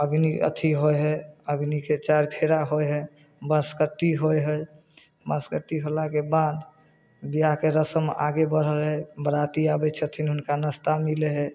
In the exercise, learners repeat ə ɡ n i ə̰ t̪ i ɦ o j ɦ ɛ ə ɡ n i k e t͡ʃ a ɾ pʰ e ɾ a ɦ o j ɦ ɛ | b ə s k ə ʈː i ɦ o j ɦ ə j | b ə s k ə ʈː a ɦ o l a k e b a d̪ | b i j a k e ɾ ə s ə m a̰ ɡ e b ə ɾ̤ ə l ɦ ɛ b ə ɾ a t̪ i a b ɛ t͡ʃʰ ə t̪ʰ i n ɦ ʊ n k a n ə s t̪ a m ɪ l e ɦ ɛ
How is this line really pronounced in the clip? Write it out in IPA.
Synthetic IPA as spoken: ə ɡ n i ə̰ t̪ʰ i ɦ o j ɦ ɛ ə ɡ n i k e t͡ʃ a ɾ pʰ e ɾ a ɦ o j ɦ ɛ | b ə s k ə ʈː i ɦ o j ɦ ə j | b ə s k ə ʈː i ɦ o l a k e b a d̪ | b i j a k e ɾ ə s ə m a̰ ɡ e b ə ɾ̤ ə l ɦ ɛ b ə ɾ a t̪ i a b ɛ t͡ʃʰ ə t̪ʰ i n ɦ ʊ n k a n ə s t̪ a m i l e ɦ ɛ